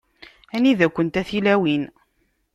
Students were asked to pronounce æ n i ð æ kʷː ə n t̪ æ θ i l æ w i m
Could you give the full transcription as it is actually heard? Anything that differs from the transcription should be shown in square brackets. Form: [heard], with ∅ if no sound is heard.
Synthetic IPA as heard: æ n i ð æ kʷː ə n t̪ æ θ i l æ w i [n]